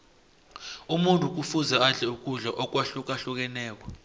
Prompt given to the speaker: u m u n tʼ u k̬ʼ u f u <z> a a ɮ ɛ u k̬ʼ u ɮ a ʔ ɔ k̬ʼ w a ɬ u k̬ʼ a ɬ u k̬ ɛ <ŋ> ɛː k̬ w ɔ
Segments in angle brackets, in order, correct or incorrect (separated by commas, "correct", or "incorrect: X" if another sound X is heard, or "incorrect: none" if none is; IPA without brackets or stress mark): correct, incorrect: n